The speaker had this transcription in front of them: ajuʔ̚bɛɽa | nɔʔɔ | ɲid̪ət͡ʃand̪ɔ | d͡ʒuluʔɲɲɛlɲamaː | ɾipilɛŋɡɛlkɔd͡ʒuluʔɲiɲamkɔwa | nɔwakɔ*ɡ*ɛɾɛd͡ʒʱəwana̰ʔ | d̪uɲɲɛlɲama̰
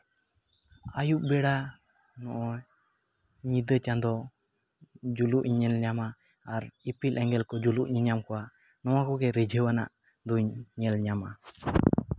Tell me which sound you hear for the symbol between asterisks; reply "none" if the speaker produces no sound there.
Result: ɡ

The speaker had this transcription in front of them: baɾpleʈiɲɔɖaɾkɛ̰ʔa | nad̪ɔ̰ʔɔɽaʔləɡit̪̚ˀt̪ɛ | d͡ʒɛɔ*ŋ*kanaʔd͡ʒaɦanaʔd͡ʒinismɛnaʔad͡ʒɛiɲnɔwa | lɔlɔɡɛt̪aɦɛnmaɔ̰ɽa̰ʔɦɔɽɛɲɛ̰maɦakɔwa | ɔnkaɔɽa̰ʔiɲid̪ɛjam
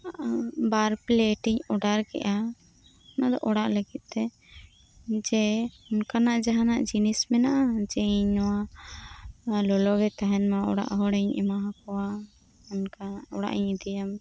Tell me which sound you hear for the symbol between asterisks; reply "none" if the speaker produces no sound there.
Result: n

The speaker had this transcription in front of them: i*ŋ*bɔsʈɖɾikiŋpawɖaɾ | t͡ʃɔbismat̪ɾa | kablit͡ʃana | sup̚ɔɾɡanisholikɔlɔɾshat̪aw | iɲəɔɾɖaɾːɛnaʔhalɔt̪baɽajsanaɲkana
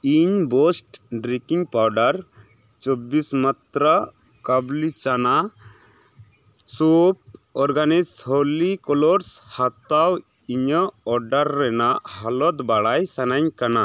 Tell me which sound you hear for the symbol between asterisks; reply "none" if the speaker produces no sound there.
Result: ɲ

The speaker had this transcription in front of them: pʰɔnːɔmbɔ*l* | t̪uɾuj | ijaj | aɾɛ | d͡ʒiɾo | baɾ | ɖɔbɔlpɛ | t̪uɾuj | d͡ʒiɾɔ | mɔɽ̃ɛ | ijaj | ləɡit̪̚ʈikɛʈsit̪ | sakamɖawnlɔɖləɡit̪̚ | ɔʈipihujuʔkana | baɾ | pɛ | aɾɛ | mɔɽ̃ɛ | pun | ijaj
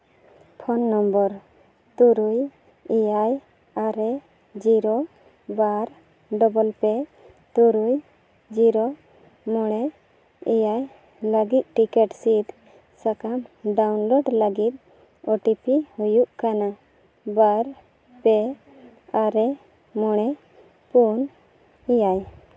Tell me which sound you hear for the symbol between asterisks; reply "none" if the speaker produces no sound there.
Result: ɾ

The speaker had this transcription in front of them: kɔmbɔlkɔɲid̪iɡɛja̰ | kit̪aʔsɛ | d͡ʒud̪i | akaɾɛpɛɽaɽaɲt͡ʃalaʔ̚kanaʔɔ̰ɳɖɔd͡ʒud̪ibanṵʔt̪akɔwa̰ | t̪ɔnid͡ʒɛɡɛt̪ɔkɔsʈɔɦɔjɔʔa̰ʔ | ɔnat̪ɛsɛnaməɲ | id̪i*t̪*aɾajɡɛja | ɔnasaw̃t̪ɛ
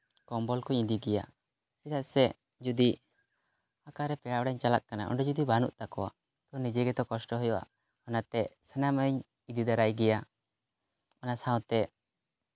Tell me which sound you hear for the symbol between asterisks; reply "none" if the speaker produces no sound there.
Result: d̪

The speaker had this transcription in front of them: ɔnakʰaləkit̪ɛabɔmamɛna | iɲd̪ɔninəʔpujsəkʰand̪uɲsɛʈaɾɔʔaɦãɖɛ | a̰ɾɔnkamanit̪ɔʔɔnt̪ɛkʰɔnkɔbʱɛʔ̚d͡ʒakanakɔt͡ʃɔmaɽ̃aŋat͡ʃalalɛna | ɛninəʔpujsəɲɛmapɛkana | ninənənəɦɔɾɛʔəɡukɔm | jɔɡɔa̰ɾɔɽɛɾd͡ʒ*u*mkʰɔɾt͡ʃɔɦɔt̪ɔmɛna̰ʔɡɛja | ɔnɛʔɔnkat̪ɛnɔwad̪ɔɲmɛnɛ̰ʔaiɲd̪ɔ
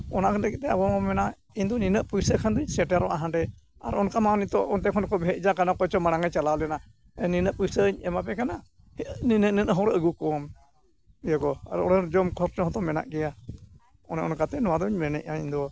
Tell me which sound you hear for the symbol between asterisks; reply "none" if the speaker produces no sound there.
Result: ɔ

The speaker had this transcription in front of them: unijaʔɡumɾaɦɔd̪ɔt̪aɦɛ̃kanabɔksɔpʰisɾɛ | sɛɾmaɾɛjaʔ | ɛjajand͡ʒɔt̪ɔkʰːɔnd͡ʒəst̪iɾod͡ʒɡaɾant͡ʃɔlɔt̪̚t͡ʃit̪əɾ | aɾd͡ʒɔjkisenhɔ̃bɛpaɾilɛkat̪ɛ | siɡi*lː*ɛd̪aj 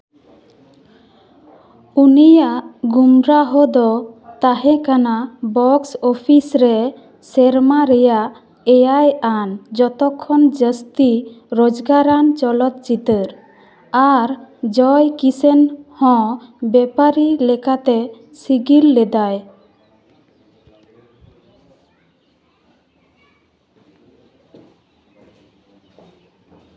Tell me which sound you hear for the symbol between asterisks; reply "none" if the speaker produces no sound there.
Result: lː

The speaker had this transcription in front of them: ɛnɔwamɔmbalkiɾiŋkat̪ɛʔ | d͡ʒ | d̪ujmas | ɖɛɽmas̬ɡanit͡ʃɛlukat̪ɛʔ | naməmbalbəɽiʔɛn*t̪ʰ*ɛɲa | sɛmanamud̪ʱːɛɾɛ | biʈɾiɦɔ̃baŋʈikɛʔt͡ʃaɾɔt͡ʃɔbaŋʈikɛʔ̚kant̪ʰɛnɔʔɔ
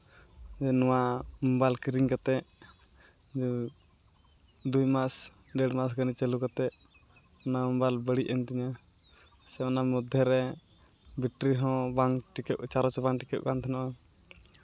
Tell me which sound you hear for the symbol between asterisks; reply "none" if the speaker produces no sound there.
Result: t̪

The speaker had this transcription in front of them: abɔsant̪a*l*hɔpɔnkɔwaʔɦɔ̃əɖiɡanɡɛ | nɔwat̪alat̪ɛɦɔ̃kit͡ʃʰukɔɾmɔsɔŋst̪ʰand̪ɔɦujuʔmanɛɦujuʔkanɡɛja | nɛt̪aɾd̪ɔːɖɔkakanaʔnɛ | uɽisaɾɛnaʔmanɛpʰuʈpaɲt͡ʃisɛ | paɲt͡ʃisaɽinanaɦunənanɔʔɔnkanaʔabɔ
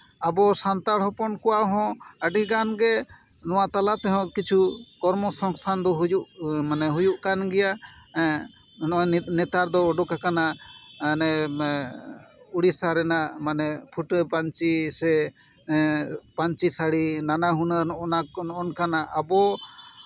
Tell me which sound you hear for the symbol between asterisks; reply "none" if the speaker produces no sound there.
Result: ɽ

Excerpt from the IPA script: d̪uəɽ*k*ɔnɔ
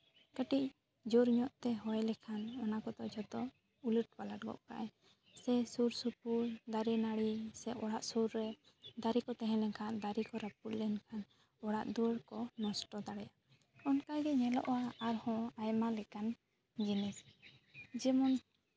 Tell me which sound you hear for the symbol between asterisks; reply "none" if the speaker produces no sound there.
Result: k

